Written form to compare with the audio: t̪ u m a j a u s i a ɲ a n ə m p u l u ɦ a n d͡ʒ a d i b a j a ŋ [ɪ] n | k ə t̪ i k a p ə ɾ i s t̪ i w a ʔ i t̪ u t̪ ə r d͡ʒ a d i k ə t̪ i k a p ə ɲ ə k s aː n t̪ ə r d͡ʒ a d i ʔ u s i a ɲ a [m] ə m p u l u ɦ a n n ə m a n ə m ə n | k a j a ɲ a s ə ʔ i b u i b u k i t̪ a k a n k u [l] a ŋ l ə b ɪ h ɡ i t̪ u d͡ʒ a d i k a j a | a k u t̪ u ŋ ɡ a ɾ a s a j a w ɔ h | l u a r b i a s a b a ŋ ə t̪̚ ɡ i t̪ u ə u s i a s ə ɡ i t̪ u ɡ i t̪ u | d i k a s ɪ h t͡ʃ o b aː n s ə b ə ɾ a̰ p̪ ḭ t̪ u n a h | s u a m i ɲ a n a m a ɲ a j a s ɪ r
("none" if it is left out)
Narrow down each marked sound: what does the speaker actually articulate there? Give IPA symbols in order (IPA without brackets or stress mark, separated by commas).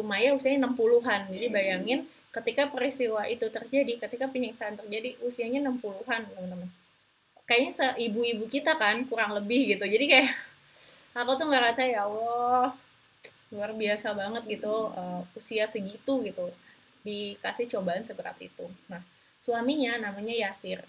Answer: ɪ, n, ɾ